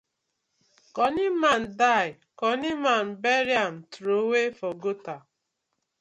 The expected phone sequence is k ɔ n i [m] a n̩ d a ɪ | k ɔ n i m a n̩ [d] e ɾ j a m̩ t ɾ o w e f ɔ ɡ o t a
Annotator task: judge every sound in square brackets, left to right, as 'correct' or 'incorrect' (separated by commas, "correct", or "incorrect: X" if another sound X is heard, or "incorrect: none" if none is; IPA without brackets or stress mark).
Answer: correct, incorrect: b